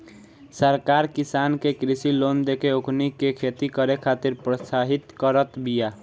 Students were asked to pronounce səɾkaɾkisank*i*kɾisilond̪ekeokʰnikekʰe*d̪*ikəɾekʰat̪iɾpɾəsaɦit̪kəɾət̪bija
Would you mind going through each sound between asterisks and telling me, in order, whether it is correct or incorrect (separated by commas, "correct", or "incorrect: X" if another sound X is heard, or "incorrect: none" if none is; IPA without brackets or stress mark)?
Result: incorrect: e, incorrect: t̪